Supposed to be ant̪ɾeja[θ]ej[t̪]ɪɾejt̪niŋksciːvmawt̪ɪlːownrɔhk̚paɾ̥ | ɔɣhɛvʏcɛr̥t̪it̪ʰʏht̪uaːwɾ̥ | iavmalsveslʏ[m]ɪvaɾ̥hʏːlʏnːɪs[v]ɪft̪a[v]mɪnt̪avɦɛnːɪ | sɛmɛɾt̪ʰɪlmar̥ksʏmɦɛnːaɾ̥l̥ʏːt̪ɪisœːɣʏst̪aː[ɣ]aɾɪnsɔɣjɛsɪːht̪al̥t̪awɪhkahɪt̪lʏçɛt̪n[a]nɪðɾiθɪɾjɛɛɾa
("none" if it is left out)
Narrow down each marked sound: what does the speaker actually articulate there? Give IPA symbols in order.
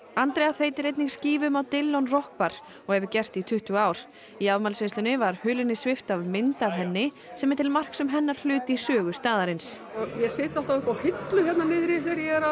θ, t̪, n, v, v, ð, a

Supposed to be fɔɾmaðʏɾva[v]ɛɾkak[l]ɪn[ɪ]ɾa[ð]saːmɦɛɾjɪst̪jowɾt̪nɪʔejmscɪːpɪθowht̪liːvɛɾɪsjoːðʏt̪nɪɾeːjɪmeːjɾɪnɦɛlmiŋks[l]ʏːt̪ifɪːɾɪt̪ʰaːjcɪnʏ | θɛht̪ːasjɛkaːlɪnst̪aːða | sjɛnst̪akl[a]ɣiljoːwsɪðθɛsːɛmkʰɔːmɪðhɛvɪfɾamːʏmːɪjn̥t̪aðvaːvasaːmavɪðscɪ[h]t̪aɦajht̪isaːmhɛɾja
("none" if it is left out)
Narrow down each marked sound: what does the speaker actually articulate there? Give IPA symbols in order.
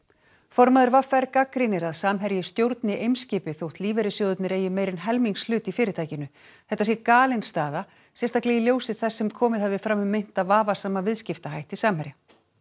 f, ɾ, ɪ, ð, l, ɛ, f

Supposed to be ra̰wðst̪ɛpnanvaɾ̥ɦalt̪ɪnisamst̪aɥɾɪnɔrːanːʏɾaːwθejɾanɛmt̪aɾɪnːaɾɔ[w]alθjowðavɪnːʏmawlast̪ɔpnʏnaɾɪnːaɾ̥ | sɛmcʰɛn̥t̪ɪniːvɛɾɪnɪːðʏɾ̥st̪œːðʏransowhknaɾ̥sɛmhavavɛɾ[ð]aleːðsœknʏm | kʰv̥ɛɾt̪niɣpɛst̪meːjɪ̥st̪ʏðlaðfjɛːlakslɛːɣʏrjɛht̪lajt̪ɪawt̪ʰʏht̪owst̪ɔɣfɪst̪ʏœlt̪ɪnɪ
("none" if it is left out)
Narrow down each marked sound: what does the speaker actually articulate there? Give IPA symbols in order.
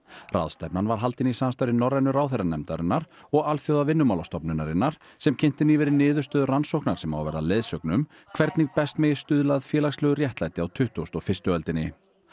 ɣ, ð

